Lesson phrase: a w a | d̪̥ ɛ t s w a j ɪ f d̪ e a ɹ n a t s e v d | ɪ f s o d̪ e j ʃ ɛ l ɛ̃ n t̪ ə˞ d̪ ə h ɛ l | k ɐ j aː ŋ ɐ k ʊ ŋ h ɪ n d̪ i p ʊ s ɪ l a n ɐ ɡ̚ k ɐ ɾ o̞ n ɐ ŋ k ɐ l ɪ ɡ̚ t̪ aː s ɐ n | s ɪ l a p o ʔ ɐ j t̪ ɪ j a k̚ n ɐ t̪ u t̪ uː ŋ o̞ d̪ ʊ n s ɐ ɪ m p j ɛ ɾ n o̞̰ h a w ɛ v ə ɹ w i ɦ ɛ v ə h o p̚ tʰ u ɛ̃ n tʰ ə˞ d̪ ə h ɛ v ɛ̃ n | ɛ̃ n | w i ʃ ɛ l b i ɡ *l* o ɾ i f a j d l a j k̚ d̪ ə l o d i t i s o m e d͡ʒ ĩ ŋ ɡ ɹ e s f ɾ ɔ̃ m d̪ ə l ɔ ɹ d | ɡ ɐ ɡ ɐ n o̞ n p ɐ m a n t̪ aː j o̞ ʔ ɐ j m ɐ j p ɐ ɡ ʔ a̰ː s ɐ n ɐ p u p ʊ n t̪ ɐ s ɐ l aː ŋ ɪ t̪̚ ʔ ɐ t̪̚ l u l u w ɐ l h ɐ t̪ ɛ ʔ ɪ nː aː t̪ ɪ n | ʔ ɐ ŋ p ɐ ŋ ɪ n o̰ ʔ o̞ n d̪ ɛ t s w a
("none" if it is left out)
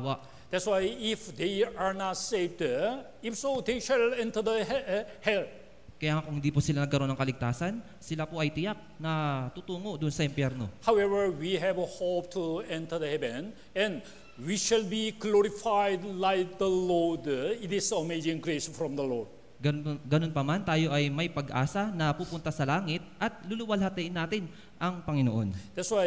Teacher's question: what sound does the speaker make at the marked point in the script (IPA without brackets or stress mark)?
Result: l